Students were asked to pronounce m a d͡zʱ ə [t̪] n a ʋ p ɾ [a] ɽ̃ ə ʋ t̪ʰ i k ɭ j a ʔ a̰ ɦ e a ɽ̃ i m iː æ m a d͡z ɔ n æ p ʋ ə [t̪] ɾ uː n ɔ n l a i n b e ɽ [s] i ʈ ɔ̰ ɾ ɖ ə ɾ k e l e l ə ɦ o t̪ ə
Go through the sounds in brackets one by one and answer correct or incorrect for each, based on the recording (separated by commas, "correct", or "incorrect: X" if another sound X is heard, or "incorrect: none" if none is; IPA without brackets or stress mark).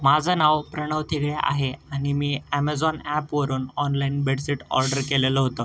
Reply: incorrect: none, incorrect: ə, incorrect: none, correct